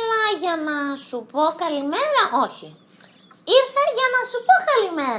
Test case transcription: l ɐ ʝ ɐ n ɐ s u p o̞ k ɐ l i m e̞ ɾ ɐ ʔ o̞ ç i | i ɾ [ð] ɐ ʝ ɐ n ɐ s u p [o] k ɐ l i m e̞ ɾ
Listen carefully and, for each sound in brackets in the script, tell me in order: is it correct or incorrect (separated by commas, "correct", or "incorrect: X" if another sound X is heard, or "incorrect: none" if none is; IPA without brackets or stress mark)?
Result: incorrect: θ, correct